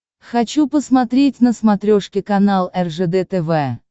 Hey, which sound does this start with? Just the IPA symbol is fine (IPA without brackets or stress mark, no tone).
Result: x